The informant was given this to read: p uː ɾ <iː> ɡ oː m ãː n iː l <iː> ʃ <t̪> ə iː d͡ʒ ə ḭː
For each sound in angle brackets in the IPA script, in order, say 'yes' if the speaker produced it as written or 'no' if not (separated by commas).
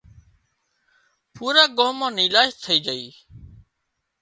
no, no, no